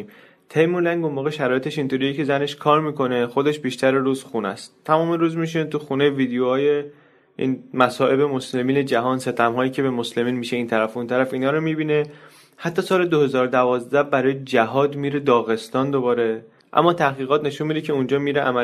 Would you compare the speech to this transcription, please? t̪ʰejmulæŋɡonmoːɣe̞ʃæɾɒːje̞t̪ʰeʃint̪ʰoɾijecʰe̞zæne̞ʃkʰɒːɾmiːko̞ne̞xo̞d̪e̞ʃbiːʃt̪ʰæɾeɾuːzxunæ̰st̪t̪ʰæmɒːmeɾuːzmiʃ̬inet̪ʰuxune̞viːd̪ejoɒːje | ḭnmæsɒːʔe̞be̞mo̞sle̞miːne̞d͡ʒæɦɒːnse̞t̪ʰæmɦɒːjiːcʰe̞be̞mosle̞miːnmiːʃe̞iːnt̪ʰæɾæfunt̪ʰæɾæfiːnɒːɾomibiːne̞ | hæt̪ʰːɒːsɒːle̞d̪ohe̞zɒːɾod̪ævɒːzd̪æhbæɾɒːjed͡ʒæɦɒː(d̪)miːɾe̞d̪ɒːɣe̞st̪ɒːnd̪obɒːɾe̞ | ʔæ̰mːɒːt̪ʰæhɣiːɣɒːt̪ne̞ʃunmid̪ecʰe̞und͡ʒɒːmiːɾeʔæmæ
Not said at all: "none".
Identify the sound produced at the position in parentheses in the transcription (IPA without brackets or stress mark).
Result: d̪